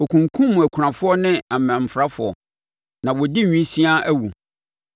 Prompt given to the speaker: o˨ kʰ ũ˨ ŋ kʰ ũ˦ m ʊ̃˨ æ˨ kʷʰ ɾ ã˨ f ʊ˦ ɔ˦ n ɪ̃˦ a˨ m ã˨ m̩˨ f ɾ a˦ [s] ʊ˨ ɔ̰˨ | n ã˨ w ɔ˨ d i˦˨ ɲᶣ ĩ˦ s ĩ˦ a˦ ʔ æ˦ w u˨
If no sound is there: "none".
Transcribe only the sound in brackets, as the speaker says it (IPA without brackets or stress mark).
f